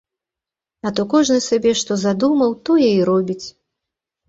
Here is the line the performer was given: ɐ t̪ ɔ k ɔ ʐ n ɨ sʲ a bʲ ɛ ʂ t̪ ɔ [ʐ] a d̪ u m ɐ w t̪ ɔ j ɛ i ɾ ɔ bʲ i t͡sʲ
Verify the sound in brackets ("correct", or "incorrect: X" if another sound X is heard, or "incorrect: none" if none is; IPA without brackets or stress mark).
incorrect: z